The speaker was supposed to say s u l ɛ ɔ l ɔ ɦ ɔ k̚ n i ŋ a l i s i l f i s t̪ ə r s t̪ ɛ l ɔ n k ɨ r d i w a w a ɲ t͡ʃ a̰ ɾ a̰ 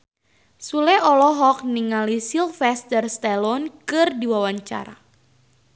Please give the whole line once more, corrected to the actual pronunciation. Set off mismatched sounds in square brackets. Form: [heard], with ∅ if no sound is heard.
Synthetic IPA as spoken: s u l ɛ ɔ l ɔ ɦ ɔ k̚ n i ŋ a l i s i l f [ɛ] s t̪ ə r s t̪ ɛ l ɔ n k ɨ r d i w a w a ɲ t͡ʃ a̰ ɾ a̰